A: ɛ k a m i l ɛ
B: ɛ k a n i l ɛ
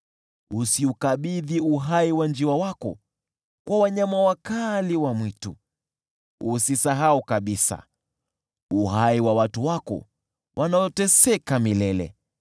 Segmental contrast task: A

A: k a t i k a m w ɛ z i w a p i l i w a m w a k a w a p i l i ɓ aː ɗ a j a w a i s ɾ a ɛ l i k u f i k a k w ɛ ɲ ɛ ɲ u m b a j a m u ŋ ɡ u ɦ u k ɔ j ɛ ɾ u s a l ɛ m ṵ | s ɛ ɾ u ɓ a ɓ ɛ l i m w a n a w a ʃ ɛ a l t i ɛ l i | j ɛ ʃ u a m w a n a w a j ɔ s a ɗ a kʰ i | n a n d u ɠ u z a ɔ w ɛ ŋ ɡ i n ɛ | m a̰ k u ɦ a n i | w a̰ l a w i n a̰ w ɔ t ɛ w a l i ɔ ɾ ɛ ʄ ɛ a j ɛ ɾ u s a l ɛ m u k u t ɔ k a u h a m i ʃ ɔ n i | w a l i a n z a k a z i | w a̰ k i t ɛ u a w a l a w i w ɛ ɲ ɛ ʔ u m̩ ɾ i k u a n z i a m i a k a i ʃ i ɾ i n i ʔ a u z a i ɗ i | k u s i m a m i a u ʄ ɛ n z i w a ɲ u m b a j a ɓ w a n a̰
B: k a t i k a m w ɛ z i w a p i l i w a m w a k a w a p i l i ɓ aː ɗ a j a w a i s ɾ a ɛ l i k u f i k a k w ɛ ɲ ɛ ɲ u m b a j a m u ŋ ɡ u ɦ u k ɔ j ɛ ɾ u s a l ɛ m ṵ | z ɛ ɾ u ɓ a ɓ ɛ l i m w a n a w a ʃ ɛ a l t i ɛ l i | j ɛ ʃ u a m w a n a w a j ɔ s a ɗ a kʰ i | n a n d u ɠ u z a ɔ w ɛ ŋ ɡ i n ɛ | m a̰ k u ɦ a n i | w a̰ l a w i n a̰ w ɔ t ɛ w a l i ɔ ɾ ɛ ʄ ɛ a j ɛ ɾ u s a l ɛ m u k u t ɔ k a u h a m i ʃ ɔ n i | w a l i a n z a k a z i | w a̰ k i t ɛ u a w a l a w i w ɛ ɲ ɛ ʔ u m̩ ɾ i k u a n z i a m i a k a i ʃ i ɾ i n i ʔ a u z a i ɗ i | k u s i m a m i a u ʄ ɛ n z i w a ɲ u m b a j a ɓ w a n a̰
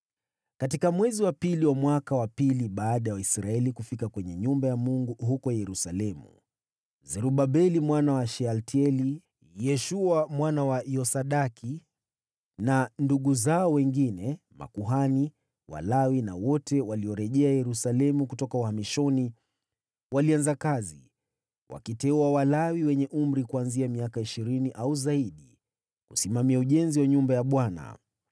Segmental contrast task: B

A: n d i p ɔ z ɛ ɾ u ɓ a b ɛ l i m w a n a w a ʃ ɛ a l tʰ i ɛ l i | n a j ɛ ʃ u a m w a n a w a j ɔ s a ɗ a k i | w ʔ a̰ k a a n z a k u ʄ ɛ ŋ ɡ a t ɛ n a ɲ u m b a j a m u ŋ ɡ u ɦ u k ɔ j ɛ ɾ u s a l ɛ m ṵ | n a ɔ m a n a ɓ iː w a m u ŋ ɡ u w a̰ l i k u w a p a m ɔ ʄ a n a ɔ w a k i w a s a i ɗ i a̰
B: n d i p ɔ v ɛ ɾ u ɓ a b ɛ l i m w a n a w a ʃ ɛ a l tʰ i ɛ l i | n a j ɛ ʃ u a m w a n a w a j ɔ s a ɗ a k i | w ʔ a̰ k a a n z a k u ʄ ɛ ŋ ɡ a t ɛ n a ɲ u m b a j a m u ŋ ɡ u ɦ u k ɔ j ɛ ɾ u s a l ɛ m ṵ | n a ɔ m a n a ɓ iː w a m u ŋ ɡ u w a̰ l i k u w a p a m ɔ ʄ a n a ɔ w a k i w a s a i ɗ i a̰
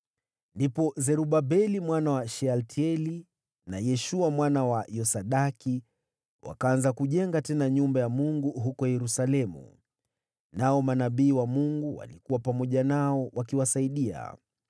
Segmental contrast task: A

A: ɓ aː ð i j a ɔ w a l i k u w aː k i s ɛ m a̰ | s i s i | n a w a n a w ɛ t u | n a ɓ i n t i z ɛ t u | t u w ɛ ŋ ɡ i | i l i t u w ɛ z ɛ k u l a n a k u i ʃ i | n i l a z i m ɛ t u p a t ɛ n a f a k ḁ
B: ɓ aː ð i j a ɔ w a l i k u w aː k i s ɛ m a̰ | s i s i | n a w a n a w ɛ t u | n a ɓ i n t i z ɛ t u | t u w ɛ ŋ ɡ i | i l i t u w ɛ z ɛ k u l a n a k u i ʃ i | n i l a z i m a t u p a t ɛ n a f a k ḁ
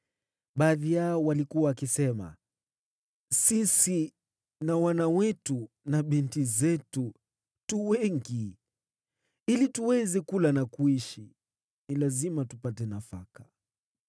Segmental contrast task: B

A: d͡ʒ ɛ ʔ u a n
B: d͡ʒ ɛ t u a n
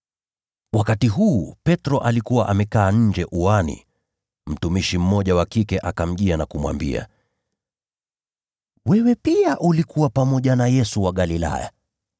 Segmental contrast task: A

